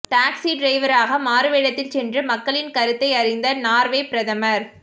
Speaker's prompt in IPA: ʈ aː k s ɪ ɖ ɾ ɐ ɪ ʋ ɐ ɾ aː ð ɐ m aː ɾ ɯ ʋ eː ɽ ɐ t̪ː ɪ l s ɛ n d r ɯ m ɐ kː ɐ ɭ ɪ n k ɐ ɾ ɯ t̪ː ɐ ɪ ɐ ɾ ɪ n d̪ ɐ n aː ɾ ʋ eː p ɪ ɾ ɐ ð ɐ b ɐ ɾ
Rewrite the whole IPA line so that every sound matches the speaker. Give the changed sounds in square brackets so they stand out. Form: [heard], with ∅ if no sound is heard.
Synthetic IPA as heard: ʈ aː k s [i] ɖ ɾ ɐ ɪ ʋ ɐ ɾ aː [ɣ] ɐ m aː ɾ ɯ ʋ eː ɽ ɐ t̪ː ɪ l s ɛ n d r ɯ m ɐ kː ɐ ɭ ɪ n k ɐ ɾ ɯ t̪ː ɐ ɪ ɐ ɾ ɪ n d̪ ɐ n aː ɾ ʋ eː p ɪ ɾ ɐ ð ɐ [m] ɐ ɾ